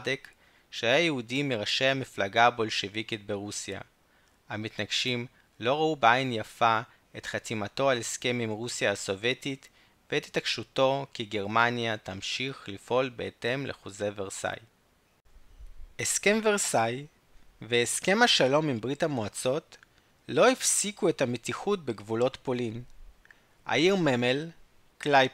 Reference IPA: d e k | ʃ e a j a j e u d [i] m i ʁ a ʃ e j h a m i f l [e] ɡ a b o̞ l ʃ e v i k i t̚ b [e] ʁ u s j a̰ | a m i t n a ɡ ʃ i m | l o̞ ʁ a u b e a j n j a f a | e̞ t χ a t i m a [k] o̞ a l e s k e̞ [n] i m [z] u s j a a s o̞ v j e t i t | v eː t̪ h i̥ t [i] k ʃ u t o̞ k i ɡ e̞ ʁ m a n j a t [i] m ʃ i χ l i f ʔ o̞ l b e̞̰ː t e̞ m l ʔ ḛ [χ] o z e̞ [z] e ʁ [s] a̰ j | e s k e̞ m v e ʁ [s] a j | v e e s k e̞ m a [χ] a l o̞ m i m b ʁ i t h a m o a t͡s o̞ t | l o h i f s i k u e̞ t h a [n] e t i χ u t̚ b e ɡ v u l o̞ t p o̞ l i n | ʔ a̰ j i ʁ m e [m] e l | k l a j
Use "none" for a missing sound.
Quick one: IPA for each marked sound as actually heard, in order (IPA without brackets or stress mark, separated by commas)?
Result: i, a, e, t, m, ʁ, a, a, χ, v, s, s, ʃ, m, m